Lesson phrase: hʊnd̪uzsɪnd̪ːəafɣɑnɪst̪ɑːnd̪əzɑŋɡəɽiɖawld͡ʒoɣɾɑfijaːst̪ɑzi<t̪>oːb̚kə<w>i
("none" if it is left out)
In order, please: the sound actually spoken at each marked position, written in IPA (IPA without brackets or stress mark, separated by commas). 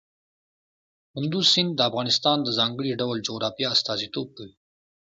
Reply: t̪, w